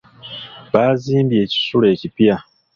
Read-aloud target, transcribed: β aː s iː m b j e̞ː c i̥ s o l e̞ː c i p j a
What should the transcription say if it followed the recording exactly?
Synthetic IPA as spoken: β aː z iː m b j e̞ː c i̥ s u l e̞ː c i p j a